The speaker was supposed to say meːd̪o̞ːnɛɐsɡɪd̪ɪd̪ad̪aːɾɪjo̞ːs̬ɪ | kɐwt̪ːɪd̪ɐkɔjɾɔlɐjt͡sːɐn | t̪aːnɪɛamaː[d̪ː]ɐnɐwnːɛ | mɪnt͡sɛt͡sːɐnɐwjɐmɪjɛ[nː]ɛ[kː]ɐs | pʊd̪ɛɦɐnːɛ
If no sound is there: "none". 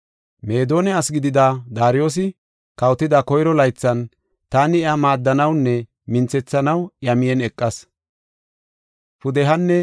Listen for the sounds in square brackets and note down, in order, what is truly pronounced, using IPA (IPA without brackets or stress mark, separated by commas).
d̪ː, n, kʼː